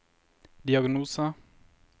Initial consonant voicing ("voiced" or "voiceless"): voiced